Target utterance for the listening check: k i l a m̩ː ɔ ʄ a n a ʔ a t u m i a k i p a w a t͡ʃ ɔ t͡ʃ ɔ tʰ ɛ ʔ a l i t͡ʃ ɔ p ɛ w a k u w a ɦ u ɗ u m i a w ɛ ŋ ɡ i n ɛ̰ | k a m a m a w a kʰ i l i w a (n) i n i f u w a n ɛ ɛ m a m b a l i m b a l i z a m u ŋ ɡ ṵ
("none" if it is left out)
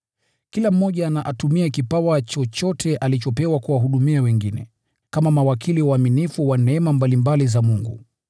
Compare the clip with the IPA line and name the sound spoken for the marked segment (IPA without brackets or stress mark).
m